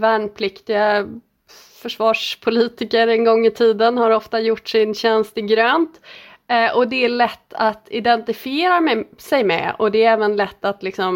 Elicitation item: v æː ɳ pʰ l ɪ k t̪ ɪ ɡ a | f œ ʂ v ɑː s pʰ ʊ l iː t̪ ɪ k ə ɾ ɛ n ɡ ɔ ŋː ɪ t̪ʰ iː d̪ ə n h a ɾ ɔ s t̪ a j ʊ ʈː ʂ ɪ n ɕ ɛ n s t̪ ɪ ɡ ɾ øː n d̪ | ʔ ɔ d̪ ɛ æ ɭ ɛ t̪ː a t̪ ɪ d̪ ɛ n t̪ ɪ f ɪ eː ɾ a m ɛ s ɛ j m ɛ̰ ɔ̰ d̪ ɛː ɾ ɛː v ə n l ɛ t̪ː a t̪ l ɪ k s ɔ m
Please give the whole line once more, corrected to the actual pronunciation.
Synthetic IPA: v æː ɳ pʰ l ɪ k t̪ ɪ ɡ a | f œ ʂ v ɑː ʂ pʰ ʊ l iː t̪ ɪ k ə ɾ ɛ n ɡ ɔ ŋː ɪ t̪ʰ iː d̪ ə n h a ɾ ɔ f t̪ a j ʊ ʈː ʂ ɪ n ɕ ɛ n s t̪ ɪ ɡ ɾ øː n t̪ | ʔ ɔ d̪ ɛ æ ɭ ɛ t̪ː a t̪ ɪ d̪ ɛ n t̪ ɪ f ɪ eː ɾ a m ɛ s ɛ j m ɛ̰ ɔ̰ d̪ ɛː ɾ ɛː v ə n l ɛ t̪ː a t̪ l ɪ k s ɔ m